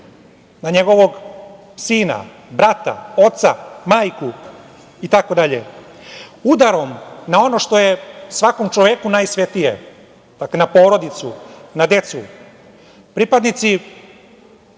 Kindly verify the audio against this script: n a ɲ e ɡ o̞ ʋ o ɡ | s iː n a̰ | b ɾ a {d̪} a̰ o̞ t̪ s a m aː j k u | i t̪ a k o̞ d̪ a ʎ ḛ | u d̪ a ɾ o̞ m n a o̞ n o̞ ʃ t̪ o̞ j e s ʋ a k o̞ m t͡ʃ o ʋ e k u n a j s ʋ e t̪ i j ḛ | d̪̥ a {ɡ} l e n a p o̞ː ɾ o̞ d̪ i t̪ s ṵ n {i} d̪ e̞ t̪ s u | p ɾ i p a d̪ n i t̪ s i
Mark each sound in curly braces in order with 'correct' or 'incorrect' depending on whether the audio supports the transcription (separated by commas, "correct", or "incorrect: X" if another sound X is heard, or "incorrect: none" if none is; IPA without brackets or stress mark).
incorrect: t̪, incorrect: k, incorrect: a